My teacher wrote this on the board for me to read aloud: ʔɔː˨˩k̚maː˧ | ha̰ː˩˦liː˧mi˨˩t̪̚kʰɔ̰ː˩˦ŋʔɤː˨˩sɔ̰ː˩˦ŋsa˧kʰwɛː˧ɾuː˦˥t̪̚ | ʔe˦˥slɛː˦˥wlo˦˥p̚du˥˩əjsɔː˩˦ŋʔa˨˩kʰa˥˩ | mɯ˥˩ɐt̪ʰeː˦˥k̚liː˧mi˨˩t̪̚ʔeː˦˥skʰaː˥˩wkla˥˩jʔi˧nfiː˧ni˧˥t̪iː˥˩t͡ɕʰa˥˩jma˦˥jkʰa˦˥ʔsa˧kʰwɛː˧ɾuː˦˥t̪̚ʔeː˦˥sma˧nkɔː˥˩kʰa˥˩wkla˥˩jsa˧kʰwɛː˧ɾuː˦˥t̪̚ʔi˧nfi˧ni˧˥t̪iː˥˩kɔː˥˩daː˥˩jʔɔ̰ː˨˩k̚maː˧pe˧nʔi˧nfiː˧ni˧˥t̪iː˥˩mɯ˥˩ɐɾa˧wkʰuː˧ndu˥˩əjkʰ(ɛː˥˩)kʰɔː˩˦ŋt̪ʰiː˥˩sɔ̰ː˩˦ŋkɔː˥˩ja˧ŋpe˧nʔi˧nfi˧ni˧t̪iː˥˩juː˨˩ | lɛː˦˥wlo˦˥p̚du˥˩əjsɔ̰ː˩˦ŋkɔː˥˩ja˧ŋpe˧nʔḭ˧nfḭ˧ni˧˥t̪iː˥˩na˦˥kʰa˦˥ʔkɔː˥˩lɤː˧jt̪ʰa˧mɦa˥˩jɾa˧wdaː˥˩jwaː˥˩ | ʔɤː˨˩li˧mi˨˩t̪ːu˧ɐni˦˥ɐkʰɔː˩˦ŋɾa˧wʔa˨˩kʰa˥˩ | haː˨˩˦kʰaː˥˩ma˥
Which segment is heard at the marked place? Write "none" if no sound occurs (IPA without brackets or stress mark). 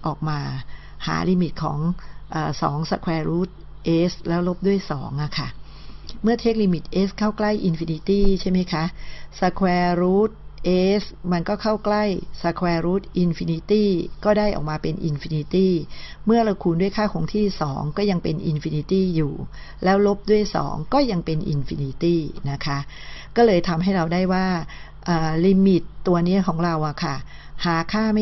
aː˥˩